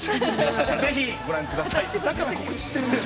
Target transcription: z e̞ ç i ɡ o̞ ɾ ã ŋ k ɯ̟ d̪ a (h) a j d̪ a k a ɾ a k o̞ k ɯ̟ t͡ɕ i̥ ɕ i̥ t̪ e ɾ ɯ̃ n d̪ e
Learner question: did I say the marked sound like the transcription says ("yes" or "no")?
no